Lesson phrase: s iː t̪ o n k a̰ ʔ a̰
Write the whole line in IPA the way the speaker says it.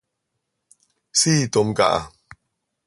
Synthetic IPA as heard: s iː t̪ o m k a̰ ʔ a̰